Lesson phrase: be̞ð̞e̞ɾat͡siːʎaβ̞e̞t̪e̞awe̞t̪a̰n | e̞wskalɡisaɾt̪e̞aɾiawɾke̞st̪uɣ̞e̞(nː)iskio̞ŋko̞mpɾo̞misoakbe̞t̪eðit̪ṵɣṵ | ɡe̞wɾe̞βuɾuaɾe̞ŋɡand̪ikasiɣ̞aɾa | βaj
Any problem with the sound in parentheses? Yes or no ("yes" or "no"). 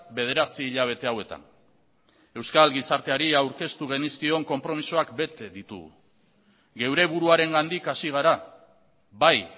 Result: yes